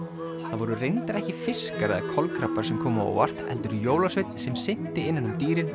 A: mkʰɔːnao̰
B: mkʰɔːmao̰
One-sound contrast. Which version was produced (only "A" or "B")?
B